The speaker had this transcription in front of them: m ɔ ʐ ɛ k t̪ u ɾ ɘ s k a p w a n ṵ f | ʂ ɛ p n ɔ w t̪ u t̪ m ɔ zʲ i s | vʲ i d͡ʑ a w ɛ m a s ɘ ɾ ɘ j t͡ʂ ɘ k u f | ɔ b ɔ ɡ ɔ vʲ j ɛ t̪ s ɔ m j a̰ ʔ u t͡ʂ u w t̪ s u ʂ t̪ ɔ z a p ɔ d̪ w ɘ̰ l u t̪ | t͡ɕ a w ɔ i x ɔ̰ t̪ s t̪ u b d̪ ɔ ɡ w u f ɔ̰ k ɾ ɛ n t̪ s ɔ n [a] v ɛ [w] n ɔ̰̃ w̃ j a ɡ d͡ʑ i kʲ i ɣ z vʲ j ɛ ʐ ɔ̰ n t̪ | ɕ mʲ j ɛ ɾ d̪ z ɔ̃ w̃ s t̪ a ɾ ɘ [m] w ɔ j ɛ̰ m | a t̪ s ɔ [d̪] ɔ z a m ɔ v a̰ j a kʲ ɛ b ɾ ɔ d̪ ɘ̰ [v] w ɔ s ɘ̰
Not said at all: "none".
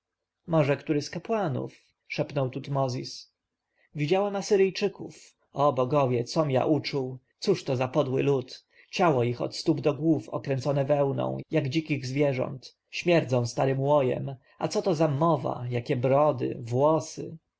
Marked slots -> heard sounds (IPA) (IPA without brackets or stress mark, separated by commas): ɛ, w, m, t̪, v